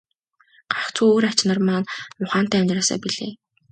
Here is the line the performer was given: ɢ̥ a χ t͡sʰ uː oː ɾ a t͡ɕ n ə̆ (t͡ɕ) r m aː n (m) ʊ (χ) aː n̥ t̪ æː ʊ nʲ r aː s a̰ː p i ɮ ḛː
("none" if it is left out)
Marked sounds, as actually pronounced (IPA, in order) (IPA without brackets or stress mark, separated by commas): none, m, χ